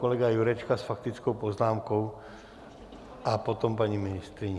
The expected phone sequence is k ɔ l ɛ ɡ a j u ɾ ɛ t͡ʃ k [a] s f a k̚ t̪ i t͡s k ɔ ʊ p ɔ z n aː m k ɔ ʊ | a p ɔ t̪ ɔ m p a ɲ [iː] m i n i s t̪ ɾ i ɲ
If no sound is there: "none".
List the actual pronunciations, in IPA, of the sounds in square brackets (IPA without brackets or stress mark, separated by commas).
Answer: a, i